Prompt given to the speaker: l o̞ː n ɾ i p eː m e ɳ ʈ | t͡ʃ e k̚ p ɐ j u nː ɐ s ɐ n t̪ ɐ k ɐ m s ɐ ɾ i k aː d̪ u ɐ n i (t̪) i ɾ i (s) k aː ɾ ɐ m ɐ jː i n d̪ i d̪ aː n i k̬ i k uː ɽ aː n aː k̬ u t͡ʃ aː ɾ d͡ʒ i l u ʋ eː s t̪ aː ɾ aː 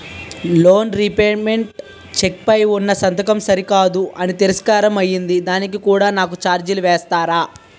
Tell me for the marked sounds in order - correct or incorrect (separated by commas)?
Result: correct, correct